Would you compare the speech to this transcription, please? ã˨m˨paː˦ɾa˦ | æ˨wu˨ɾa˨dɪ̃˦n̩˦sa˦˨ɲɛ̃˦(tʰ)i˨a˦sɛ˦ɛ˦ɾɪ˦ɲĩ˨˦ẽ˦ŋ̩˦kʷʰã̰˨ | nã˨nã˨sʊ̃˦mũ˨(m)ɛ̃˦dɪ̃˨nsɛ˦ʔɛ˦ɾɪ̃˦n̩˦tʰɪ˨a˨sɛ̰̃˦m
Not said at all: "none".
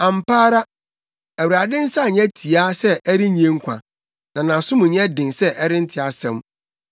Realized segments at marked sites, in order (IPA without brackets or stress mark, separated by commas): tʰ, ɲ